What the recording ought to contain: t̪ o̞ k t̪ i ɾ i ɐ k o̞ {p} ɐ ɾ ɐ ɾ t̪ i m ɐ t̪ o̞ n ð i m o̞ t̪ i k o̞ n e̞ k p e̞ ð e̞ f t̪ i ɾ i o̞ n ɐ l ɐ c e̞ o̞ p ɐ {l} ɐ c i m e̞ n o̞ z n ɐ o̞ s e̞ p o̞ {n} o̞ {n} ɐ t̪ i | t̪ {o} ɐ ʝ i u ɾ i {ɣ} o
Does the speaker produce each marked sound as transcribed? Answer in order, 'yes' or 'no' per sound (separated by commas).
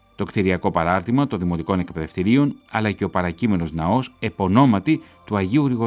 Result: yes, no, yes, no, no, yes